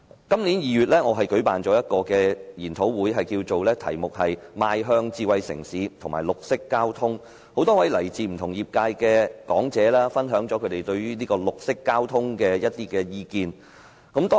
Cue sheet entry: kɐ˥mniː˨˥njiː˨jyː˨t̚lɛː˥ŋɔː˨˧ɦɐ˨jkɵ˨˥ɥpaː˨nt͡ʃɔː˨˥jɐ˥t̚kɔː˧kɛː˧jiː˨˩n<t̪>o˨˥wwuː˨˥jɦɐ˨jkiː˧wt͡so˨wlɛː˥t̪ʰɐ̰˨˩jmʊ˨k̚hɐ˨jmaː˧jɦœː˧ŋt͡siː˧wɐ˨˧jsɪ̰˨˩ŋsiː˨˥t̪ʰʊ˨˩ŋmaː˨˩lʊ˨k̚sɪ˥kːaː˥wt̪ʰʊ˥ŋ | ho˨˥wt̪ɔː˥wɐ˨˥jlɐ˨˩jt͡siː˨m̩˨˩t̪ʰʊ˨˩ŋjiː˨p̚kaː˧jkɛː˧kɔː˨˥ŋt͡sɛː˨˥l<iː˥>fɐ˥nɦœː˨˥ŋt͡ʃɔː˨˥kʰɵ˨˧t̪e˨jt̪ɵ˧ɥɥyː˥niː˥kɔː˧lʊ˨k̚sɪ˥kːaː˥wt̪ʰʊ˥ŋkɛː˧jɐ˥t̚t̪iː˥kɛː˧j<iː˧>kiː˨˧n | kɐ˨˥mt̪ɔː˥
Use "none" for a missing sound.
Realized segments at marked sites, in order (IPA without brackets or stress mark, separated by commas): t̪ʰ, aː˥, iː˧